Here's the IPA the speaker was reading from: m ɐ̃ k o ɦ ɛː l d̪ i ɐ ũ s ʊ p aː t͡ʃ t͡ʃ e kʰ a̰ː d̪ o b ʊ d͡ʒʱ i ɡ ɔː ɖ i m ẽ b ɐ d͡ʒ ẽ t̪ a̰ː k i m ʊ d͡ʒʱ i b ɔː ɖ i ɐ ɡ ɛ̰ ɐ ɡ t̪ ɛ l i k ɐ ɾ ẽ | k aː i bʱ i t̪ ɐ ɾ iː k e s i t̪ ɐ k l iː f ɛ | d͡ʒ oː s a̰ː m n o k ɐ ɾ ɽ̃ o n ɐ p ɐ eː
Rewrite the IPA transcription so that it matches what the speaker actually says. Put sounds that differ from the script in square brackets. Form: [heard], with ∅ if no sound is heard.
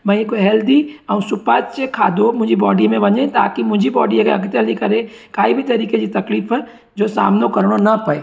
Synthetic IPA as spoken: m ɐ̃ k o ɦ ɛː l d̪ i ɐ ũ s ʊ p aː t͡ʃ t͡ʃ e kʰ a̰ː d̪ o [m] ʊ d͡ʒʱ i [b] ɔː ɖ i m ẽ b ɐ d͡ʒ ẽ t̪ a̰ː k i m ʊ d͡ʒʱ i b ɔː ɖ i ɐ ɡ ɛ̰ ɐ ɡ t̪ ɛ l i k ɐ ɾ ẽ | k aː i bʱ i t̪ ɐ ɾ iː k e s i t̪ ɐ k l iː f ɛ | d͡ʒ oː s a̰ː m n o k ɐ ɾ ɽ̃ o n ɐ p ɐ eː

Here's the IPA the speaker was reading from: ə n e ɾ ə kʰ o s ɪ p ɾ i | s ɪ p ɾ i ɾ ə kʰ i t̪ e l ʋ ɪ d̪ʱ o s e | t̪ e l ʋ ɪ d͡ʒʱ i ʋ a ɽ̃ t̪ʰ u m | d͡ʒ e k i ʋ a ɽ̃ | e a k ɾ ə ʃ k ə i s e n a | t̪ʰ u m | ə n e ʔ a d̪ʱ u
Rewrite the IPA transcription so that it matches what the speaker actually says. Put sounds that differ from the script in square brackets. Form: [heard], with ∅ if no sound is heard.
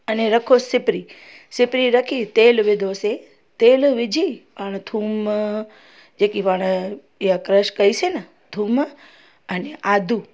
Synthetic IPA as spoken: ə n e ɾ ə kʰ o s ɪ p ɾ i | s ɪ p ɾ i ɾ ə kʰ i t̪ e l ʋ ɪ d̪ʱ o s e | t̪ e l ʋ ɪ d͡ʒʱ i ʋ a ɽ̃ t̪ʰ u m | d͡ʒ e k i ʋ a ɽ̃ | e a k ɾ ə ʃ k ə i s e n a | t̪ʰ u m | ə n e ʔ a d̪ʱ u

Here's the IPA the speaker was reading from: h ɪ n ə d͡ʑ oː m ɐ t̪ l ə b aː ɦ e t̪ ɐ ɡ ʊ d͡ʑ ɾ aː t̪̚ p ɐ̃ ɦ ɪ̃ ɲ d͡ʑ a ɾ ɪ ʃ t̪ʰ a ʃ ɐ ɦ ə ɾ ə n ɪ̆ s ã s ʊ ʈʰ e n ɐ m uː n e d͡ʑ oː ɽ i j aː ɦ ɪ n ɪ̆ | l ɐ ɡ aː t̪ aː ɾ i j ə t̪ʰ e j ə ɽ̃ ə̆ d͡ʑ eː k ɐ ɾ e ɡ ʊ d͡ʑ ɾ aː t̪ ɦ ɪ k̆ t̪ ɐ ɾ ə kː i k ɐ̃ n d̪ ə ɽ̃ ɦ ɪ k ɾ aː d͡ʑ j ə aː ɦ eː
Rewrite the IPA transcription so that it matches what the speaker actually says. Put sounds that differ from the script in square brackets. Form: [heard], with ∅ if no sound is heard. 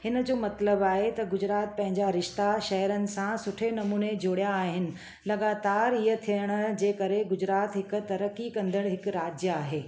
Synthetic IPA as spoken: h ɪ n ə d͡ʑ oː m ɐ t̪ l ə b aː ɦ e t̪ ɐ ɡ ʊ d͡ʑ ɾ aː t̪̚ p ɐ̃ ɦ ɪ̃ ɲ d͡ʑ a ɾ ɪ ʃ [t̪] a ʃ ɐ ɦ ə ɾ ə n ɪ̆ s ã s ʊ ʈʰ e n ɐ m uː n e d͡ʑ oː ɽ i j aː ɦ ɪ n ɪ̆ | l ɐ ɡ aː t̪ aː ɾ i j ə t̪ʰ [i] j ə ɽ̃ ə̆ d͡ʑ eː k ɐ ɾ e ɡ ʊ d͡ʑ ɾ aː t̪ ɦ ɪ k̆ t̪ ɐ ɾ ə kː i k ɐ̃ n d̪ ə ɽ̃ ɦ ɪ k ɾ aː d͡ʑ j ə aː ɦ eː

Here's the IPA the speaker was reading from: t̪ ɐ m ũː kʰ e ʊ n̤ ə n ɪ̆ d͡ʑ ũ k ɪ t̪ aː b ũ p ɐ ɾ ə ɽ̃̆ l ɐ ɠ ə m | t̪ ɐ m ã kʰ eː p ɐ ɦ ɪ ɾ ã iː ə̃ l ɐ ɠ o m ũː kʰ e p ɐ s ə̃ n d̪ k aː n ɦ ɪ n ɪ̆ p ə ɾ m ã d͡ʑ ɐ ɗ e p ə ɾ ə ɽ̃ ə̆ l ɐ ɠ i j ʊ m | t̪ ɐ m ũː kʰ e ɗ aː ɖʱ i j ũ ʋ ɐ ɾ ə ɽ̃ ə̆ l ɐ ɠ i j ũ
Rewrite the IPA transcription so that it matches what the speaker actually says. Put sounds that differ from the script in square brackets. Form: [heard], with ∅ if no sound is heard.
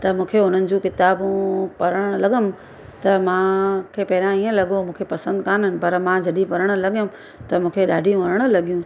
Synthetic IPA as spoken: t̪ ɐ m ũː kʰ e ʊ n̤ ə n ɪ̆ d͡ʑ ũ k ɪ t̪ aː b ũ p ɐ ɾ ə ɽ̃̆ l ɐ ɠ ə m | t̪ ɐ m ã kʰ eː p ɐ ɦ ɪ ɾ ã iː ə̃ l ɐ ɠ o m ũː kʰ e p ɐ s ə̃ n d̪ k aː n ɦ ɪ n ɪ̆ p [ɐ] ɾ m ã d͡ʑ ɐ ɗ [i] p [ɐ] ɾ ə ɽ̃ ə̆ l ɐ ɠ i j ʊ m | t̪ ɐ m ũː kʰ e ɗ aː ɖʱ i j ũ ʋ ɐ ɾ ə ɽ̃ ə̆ l ɐ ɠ i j ũ

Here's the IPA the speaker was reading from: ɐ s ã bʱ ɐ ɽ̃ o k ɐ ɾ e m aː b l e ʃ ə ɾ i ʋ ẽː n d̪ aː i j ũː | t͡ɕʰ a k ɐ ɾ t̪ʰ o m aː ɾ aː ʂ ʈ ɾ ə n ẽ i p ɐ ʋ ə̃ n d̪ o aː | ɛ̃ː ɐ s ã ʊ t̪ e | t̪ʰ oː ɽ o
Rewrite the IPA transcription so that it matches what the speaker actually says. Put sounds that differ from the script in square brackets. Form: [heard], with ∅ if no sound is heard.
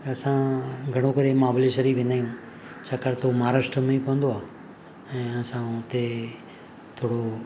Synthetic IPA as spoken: ɐ s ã [ɡʱ] ɐ ɽ̃ o k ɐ ɾ e m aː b l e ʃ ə ɾ i ʋ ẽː n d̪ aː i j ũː | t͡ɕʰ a k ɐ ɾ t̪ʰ o m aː ɾ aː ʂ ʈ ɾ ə [m] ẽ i p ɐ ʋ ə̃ n d̪ o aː | ɛ̃ː ɐ s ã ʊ t̪ e | t̪ʰ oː ɽ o

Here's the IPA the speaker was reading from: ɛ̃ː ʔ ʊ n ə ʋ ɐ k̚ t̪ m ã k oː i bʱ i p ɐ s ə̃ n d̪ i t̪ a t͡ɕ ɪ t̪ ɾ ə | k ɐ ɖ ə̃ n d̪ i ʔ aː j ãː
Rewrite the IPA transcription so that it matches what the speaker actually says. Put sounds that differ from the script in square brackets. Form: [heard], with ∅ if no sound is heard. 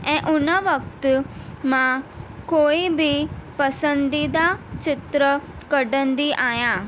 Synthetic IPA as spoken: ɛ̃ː ʔ ʊ n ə ʋ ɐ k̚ t̪ m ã k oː i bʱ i p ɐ s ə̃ n d̪ i [d̪] a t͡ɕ ɪ t̪ ɾ ə | k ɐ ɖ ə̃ n d̪ i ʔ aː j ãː

